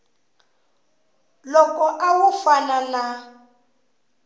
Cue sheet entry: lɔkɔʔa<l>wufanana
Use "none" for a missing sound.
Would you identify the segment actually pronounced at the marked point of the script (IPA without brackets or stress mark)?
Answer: none